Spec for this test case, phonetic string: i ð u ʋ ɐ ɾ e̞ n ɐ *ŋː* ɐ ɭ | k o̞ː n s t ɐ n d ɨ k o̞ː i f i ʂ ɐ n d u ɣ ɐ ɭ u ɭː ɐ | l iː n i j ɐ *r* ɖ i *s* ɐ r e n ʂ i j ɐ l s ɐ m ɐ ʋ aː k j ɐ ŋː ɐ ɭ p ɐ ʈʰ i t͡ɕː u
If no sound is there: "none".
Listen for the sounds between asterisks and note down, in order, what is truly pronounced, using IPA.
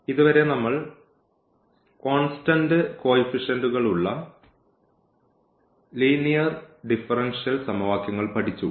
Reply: mː, r, f

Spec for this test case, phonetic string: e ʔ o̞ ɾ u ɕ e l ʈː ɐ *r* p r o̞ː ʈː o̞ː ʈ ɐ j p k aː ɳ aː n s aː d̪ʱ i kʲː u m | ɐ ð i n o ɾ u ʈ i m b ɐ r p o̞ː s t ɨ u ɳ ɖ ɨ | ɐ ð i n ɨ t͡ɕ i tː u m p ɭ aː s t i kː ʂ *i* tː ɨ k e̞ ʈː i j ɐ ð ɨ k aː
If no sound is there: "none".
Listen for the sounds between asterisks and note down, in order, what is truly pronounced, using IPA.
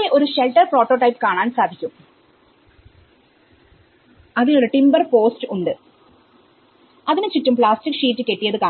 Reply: r, iː

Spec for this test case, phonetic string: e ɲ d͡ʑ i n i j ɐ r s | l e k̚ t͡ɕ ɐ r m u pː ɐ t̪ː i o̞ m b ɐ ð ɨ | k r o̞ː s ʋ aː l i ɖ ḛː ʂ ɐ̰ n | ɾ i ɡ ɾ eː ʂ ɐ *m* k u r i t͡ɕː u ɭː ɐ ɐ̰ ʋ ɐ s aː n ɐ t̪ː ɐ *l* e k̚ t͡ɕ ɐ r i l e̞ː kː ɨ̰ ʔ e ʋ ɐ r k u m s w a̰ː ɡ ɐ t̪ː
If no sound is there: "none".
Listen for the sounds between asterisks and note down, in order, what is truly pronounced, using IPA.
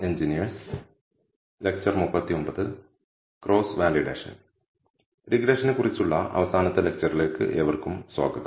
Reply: n, l

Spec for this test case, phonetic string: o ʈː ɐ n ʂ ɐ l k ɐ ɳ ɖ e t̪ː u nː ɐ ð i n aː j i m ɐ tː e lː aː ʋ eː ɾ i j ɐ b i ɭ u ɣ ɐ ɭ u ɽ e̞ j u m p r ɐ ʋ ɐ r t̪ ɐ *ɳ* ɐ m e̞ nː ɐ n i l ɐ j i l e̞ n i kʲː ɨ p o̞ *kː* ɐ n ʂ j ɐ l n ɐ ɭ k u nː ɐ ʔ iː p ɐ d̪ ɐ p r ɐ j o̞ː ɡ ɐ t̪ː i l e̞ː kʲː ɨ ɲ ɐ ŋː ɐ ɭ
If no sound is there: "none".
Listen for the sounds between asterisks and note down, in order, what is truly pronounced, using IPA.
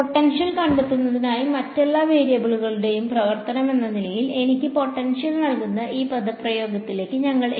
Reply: n, ʈː

